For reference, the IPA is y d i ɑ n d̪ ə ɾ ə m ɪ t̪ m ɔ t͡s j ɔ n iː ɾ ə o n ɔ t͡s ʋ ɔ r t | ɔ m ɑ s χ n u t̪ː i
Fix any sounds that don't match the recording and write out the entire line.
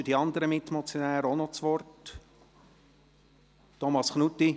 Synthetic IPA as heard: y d i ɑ n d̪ ə ɾ ə m ɪ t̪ m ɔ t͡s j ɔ n æː ɾ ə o n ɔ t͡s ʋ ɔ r t | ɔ m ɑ s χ n u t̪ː i